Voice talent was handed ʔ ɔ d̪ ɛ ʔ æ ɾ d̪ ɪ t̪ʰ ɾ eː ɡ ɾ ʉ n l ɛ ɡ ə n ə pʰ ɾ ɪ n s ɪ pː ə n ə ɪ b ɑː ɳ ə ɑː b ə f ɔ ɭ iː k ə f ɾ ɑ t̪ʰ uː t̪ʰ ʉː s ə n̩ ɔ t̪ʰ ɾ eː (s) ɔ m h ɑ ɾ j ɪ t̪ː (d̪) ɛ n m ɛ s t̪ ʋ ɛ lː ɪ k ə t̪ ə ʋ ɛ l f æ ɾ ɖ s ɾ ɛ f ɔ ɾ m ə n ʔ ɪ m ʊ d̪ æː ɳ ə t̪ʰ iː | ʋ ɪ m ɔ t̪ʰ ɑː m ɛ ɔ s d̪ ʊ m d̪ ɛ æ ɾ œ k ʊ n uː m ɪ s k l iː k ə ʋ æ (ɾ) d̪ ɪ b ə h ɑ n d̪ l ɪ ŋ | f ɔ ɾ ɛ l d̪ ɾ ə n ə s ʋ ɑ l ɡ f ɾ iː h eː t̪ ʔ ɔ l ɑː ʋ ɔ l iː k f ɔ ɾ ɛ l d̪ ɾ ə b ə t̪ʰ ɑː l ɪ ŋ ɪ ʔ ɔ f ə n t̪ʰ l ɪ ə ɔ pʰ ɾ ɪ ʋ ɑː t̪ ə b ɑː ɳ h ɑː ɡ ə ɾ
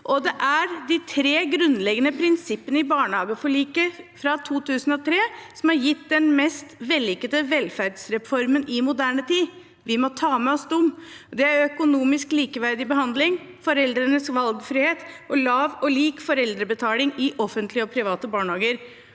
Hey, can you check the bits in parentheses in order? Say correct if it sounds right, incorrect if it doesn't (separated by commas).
correct, correct, correct